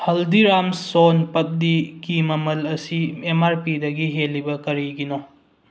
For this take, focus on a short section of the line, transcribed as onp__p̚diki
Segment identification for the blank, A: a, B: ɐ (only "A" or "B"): B